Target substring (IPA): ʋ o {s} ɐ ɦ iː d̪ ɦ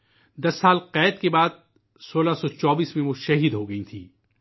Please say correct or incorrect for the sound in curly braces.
incorrect